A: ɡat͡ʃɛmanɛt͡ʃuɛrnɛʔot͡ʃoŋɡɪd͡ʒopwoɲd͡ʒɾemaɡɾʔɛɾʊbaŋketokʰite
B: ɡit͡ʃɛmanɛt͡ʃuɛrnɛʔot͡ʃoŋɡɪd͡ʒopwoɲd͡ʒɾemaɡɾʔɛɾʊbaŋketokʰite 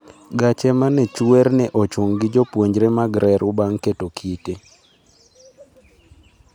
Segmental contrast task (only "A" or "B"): A